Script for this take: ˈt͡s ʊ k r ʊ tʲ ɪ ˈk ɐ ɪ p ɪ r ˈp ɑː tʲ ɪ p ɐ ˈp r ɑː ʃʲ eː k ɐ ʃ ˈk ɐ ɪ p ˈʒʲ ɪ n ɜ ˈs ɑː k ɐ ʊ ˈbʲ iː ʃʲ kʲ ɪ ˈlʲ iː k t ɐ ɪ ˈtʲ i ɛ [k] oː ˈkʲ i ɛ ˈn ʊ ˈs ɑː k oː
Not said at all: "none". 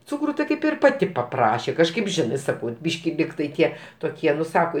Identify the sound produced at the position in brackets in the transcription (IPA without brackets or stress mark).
t